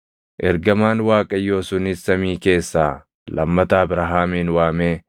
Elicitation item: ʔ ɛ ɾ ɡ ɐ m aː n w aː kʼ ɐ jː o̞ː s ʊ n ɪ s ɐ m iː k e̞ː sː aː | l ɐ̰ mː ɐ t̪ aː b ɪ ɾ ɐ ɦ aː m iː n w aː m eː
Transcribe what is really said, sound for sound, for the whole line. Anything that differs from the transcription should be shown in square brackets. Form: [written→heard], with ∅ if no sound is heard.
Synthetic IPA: ʔ ɛ ɾ ɡ ɐ m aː n w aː kʼ ɐ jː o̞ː s ʊ n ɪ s ɐ m iː k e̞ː sː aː | l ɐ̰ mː ɐ t̪ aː b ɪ ɾ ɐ ɦ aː m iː n w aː m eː